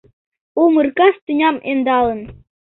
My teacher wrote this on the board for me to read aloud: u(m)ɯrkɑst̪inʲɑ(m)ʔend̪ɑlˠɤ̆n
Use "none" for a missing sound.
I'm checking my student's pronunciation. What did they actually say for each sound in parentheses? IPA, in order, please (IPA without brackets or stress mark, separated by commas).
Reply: m, m